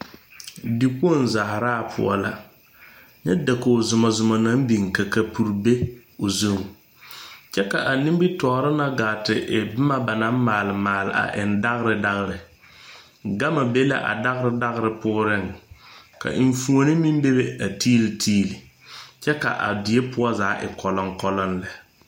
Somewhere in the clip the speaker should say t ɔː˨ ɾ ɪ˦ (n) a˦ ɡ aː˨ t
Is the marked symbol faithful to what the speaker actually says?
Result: yes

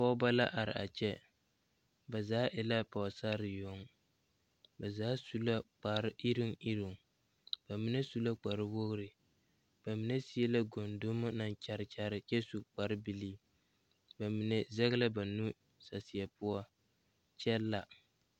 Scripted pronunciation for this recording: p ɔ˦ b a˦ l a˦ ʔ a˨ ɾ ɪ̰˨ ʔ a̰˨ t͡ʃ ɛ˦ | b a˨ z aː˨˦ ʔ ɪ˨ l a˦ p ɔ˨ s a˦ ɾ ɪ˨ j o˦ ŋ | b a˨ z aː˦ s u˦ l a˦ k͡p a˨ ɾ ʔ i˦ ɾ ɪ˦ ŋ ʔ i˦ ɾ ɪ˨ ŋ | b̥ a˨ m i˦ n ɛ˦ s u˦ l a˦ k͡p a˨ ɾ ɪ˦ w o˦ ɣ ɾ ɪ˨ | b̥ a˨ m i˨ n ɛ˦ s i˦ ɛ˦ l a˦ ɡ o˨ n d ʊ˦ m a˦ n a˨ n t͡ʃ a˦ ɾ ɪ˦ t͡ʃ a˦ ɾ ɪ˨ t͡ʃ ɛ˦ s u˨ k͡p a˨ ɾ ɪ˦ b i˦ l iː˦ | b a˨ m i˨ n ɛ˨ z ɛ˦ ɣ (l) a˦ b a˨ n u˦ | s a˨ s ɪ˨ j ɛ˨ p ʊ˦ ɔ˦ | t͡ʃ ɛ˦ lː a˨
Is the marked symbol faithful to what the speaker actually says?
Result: yes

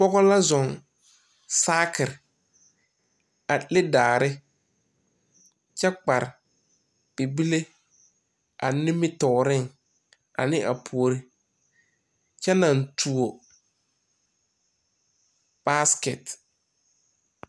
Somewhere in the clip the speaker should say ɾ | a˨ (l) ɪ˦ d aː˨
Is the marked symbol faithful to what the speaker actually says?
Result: yes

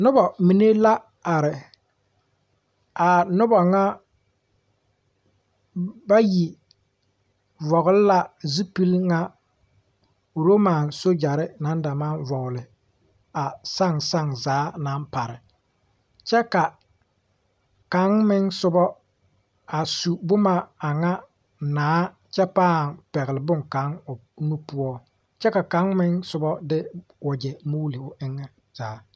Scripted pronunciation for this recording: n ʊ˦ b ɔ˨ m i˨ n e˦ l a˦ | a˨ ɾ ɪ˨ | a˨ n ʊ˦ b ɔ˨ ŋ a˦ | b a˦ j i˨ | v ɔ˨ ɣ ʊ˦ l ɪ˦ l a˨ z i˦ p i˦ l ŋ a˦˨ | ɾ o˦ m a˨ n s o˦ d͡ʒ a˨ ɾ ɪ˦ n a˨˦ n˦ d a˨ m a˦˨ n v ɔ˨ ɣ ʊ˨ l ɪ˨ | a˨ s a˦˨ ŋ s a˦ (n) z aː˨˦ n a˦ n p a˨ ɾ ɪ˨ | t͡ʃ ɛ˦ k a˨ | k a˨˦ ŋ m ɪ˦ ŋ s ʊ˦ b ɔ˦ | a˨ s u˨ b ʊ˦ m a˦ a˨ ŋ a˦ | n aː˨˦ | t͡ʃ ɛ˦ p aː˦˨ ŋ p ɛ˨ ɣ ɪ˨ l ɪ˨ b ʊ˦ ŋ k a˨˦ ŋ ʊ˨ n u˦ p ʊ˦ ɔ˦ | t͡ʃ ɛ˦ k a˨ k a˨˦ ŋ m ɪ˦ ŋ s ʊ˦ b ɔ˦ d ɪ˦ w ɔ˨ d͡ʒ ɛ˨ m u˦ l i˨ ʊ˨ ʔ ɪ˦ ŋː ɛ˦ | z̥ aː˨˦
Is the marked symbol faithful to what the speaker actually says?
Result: no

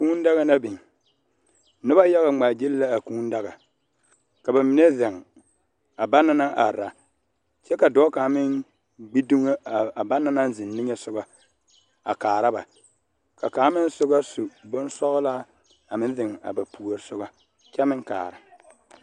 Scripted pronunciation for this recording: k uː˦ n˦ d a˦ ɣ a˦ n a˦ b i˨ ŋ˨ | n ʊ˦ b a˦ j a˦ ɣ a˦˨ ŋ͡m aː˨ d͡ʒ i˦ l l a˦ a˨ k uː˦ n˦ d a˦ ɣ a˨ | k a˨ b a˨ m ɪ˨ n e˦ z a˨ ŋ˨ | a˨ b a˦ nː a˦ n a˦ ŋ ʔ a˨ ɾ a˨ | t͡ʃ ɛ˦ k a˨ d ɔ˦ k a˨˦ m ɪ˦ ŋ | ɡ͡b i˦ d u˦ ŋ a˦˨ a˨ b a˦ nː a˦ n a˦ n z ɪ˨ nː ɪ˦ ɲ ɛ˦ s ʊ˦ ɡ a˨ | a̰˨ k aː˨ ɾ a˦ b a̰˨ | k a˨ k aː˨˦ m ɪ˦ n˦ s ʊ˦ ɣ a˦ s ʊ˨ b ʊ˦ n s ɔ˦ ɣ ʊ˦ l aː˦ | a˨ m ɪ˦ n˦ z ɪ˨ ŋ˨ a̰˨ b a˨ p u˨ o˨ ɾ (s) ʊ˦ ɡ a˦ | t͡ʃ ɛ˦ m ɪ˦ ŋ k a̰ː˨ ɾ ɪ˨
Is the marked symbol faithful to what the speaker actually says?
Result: yes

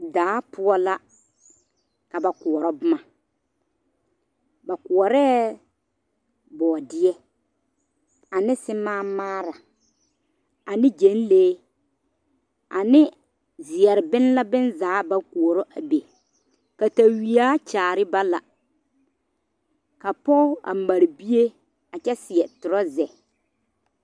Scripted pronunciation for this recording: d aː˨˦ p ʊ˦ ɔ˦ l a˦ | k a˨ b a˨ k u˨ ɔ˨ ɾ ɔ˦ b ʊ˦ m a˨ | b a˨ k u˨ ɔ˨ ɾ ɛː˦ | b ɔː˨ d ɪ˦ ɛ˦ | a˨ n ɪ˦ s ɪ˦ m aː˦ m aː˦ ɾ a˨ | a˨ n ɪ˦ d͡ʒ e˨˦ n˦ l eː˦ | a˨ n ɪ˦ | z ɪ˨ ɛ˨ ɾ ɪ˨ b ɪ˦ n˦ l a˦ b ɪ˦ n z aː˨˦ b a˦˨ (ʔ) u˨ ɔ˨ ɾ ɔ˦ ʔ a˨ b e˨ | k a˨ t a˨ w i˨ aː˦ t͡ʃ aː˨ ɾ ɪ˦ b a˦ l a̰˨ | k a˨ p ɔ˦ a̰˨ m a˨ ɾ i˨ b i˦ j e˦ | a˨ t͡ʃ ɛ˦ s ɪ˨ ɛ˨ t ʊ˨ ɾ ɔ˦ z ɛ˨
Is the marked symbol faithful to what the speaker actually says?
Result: no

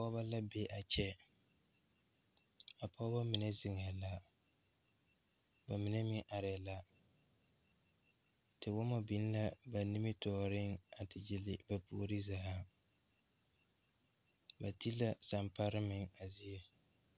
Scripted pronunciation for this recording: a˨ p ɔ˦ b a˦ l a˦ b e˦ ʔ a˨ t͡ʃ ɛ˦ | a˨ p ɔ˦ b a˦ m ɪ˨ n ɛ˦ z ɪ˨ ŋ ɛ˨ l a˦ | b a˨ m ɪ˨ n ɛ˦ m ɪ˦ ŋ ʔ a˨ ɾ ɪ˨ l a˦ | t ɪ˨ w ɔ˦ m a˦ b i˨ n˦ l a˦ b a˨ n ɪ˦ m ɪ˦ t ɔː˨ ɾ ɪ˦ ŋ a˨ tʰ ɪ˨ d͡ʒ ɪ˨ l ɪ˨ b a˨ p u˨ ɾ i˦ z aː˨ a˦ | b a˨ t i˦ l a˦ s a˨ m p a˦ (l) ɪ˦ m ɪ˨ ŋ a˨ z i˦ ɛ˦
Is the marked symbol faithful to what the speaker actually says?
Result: no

